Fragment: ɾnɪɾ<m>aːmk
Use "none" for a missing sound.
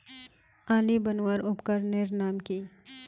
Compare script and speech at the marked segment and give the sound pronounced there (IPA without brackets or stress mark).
n